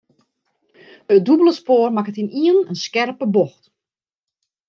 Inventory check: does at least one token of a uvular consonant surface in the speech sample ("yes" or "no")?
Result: no